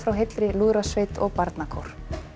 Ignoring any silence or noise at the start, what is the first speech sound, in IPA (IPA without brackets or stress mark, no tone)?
f